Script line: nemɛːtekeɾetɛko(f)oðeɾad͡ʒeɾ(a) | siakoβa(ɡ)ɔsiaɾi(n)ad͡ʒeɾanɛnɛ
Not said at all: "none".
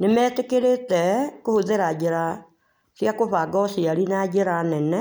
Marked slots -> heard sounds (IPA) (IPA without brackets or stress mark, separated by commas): h, a, ɡ, n